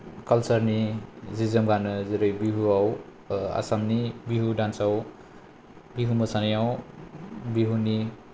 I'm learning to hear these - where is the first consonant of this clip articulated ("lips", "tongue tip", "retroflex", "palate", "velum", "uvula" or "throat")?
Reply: velum